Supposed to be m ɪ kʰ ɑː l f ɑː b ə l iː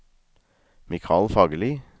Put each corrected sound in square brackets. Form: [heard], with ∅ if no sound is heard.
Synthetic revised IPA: m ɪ kʰ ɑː l f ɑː [ɡ] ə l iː